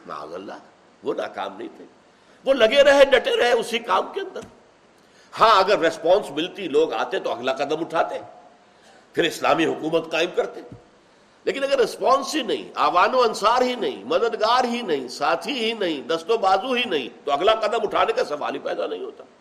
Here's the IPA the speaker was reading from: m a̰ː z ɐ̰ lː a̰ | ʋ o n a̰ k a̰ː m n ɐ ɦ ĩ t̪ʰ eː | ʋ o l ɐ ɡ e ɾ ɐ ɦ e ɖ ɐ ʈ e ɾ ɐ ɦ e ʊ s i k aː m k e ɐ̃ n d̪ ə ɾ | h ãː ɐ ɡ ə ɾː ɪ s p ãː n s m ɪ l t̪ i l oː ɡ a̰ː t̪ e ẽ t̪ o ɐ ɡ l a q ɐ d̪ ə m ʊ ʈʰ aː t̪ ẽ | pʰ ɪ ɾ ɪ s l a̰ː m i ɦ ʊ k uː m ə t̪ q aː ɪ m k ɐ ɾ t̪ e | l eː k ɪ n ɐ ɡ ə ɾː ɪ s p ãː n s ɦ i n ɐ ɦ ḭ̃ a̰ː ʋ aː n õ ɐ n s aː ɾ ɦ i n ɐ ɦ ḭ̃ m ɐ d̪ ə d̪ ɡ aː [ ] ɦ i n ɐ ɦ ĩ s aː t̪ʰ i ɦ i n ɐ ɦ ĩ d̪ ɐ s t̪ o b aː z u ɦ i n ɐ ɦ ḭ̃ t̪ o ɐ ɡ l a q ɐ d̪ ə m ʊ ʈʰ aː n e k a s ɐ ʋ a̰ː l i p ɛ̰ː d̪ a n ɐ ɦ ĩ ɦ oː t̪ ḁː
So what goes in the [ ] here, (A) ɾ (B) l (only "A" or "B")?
A